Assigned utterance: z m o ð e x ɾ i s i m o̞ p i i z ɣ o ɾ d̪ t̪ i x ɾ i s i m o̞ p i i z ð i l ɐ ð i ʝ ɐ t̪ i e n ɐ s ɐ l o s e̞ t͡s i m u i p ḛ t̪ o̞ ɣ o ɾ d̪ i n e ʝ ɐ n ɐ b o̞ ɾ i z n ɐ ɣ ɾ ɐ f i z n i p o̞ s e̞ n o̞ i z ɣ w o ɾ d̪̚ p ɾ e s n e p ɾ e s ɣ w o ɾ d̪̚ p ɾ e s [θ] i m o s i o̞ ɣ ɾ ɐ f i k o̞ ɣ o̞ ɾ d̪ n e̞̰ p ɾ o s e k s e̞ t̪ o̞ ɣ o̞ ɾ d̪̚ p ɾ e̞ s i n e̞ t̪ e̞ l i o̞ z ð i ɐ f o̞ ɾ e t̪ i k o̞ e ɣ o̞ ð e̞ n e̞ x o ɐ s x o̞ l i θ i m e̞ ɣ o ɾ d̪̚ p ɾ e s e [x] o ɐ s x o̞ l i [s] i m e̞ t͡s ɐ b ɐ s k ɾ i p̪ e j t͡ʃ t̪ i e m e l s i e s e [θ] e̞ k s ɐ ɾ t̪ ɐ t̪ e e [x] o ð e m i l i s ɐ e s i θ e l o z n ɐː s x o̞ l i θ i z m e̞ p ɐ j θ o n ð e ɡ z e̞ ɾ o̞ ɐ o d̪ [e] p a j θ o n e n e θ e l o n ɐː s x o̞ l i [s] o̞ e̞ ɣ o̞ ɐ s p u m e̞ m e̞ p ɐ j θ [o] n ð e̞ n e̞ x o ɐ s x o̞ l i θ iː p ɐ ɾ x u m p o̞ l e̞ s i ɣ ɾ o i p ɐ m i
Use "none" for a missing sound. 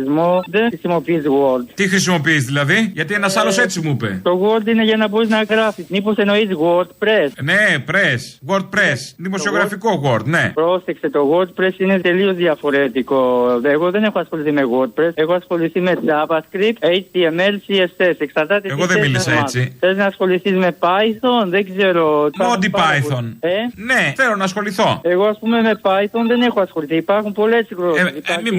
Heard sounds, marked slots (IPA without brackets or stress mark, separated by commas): ð, x, θ, s, ɣ, i, θ, o